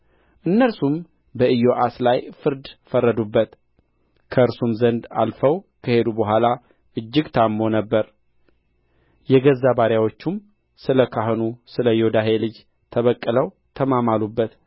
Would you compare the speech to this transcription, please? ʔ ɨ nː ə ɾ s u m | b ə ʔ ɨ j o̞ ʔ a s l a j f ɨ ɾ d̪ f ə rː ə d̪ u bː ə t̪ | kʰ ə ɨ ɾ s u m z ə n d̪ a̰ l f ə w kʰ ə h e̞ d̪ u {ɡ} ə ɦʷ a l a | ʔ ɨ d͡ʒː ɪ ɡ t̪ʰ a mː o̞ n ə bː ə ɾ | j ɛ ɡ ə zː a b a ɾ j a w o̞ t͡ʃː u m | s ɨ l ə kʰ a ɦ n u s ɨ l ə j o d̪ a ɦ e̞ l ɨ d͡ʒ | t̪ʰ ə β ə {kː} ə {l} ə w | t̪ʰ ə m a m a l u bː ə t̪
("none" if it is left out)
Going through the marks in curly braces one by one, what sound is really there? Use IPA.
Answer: b, kʼː, l

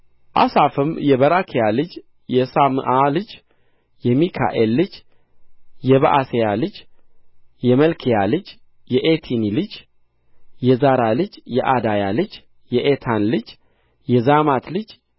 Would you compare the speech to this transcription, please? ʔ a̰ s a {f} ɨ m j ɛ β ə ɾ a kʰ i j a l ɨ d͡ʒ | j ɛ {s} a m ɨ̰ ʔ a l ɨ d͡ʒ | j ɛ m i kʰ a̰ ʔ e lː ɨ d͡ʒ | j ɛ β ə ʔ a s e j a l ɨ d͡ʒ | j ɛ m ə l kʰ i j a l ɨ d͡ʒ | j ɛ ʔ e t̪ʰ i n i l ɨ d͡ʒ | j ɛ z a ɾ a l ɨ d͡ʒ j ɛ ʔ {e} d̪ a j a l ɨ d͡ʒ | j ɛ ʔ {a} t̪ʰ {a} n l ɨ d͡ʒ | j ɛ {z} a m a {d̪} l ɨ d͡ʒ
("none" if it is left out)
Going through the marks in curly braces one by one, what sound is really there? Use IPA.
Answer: f, s, a, e, a, z, t̪

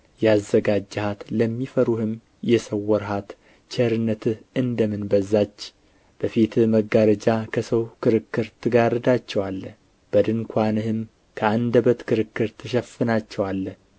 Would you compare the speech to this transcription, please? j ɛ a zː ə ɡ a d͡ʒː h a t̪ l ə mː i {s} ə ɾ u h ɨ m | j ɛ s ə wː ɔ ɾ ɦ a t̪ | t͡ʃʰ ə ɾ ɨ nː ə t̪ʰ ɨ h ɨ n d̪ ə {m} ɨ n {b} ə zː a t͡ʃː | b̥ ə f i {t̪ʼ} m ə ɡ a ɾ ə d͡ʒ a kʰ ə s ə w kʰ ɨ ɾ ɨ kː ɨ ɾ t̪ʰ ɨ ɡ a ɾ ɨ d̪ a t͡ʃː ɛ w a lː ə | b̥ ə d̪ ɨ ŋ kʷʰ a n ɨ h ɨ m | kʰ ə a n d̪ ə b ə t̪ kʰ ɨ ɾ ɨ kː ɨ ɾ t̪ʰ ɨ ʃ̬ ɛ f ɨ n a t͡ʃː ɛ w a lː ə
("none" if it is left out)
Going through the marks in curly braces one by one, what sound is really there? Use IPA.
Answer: f, m, b, t̪

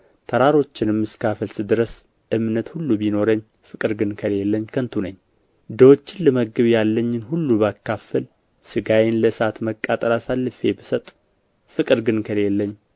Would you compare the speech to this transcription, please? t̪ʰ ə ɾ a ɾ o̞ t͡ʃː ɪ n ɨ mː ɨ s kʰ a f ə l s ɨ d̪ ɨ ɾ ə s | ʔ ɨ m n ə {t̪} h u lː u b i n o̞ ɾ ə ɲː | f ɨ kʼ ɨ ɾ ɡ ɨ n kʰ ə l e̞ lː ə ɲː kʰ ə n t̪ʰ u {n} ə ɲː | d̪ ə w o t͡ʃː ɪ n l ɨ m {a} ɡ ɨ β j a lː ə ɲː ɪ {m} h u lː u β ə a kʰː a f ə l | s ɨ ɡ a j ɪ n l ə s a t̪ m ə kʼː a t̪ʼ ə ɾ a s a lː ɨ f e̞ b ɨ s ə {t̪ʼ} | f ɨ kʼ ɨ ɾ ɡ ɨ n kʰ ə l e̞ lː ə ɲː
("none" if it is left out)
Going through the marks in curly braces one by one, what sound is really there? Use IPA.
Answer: t̪, n, ə, n, t̪ʼ

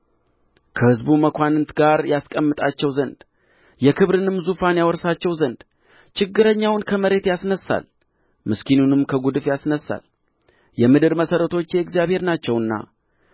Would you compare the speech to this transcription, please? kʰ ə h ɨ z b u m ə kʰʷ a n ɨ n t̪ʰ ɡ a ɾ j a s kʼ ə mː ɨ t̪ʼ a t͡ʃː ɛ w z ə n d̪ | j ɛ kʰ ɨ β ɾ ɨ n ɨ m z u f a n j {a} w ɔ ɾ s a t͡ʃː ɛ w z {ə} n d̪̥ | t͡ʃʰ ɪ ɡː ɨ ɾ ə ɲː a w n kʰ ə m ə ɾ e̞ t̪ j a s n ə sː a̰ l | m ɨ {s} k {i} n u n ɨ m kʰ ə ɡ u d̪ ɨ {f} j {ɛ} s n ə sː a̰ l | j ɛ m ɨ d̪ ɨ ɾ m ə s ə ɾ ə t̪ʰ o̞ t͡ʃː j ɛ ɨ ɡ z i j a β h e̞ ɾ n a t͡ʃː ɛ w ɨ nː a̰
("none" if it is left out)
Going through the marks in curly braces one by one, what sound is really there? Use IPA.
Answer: a, ə, s, i, f, a

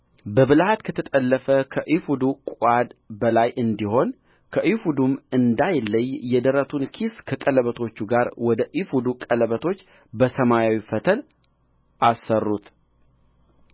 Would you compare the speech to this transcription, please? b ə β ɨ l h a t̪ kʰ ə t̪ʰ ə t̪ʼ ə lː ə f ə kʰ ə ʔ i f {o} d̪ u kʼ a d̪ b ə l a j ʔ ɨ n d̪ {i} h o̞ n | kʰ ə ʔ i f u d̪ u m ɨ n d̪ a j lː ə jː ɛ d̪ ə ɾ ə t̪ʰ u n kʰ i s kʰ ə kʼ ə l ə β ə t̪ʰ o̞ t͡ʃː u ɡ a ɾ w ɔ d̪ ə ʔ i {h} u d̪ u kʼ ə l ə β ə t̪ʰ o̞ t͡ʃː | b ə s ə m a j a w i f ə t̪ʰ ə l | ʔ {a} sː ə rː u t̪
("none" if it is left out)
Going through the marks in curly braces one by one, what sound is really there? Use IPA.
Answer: u, i, f, a

